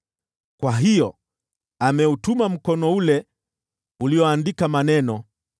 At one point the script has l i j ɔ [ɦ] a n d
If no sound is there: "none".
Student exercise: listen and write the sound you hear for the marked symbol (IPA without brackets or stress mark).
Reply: none